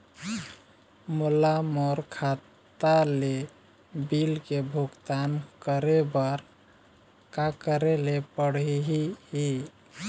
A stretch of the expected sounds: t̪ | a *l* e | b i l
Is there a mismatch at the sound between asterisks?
no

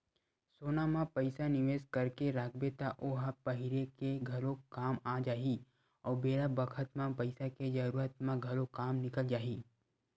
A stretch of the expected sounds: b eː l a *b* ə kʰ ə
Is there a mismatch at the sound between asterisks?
no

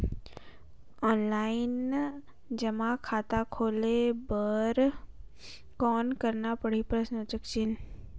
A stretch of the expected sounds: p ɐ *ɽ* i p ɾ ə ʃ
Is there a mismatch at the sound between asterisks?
no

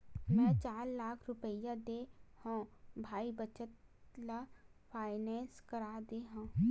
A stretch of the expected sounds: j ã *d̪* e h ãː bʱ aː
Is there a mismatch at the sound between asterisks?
no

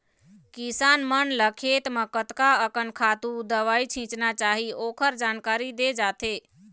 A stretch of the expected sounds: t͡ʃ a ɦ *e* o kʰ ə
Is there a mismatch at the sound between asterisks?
yes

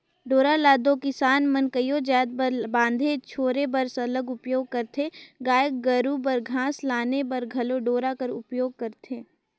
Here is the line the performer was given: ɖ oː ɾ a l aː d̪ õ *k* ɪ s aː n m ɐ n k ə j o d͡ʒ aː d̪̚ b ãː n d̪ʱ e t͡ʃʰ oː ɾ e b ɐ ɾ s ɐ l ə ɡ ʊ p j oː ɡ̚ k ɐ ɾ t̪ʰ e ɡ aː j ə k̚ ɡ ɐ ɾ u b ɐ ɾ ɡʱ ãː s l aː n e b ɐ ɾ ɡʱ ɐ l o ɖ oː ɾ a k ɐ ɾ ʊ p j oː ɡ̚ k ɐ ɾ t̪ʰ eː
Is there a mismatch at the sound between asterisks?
no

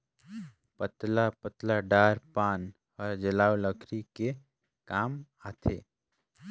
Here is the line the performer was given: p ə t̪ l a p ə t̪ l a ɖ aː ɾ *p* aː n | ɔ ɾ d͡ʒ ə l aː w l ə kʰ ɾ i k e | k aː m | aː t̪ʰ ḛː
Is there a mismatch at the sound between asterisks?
no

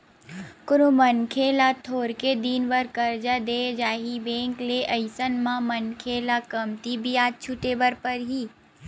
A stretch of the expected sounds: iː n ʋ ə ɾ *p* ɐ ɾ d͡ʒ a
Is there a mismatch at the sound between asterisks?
yes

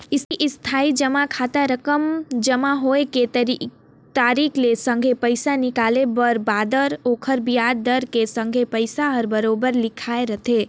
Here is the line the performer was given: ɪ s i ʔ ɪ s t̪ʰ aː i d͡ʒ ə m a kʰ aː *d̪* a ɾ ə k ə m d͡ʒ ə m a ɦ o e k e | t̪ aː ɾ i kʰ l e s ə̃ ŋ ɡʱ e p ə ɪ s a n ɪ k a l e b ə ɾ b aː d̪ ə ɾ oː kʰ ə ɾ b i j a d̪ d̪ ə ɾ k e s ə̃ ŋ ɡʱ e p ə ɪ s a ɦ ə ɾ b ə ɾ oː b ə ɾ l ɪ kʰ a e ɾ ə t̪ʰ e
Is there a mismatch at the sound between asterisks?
yes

